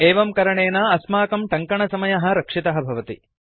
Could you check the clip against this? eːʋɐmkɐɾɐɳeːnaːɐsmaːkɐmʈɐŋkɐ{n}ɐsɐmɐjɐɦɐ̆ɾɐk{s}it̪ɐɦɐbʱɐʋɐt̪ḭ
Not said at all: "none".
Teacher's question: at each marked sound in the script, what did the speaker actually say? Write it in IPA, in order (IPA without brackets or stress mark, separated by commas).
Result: ɳ, ʂ